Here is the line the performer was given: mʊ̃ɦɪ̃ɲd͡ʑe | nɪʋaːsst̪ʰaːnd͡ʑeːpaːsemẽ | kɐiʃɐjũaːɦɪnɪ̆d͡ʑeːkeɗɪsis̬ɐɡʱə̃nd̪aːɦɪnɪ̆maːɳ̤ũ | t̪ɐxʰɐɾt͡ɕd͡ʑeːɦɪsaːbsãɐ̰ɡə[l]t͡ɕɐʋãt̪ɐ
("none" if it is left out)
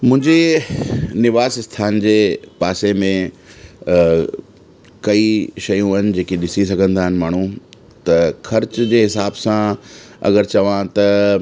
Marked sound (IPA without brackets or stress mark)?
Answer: ɾ